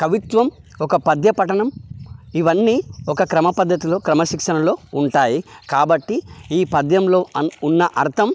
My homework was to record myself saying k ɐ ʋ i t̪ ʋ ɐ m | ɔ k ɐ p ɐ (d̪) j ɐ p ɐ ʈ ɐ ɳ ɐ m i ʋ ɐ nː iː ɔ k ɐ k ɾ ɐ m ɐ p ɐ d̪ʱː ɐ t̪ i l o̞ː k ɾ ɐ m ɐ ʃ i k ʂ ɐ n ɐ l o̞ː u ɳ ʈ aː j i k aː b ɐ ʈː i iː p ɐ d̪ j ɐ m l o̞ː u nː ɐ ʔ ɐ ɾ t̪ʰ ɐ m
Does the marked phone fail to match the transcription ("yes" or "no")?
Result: no